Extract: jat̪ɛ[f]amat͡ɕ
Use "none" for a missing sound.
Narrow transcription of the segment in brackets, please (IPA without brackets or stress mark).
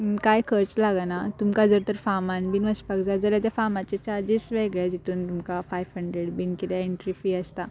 f